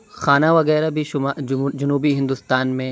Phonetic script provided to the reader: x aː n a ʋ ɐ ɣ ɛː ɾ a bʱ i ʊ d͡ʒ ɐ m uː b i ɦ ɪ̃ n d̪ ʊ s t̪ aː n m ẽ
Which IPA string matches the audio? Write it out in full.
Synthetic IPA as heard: x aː n a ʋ ɐ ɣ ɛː ɾ a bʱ i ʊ d͡ʒ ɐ n uː b i ɦ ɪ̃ n d̪ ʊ s t̪ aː n m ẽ

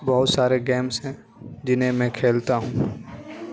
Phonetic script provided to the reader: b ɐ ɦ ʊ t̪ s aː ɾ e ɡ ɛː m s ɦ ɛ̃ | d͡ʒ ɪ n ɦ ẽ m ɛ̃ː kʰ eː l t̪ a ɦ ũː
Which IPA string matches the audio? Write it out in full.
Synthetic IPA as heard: b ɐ ɦ ʊ t̪ s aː ɾ e ɡ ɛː m s ɦ ɛ̃ | d͡ʒ ɪ n ɦ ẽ m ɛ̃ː kʰ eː l t̪ a ɦ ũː

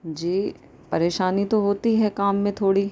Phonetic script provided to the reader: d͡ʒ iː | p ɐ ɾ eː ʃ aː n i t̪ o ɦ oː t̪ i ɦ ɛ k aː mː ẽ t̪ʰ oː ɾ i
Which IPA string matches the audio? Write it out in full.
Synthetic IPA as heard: d͡ʒ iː | p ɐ ɾ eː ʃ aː n i t̪ o ɦ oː t̪ i ɦ ɛ k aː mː ẽ t̪ʰ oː ɽ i

